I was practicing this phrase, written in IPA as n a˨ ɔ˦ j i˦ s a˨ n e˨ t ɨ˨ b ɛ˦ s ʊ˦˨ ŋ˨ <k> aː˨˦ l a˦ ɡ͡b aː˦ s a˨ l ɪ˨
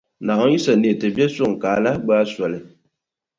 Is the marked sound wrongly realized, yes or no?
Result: no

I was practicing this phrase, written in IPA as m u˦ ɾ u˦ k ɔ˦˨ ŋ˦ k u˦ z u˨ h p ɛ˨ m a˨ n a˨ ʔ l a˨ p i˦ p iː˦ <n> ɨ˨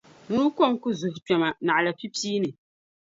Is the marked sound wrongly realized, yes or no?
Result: no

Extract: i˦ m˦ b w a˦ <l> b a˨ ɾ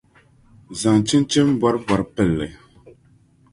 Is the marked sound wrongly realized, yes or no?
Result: yes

